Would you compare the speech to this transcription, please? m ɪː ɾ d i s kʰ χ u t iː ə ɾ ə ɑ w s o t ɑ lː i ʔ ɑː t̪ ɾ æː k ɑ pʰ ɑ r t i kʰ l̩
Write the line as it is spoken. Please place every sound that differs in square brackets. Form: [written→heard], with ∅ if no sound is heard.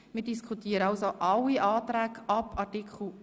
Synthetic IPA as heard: m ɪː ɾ d i s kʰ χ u t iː ə ɾ ə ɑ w s o [t→ʔ] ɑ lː i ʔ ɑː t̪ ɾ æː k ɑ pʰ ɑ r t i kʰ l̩